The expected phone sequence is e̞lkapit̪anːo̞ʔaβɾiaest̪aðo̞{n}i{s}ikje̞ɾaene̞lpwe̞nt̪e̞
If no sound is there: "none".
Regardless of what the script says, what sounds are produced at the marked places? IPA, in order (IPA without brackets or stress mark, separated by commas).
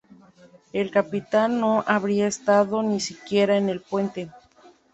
n, s